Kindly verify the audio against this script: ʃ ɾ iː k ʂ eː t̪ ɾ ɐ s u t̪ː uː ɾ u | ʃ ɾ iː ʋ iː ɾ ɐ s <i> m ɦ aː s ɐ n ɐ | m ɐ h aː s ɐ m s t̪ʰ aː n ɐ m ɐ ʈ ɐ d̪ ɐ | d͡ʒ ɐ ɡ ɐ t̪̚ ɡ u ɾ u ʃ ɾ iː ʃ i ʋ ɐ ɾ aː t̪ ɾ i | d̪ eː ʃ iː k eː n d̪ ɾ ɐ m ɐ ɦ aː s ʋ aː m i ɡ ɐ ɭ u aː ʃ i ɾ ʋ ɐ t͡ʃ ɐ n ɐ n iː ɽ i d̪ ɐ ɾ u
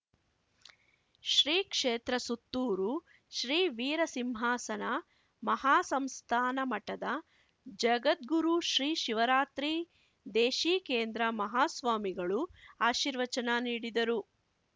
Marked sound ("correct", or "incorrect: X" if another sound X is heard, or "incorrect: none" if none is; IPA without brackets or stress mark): correct